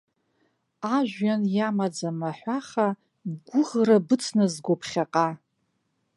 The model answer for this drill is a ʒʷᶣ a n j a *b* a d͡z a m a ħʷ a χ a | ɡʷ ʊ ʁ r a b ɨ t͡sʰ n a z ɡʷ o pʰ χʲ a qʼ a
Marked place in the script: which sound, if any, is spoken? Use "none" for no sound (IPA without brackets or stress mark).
m